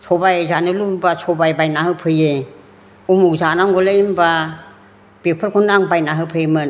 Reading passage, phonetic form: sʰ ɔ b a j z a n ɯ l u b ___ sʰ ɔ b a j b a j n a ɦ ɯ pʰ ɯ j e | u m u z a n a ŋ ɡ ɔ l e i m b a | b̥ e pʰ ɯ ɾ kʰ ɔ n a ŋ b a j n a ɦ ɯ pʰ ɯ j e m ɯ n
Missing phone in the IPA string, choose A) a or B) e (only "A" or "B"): A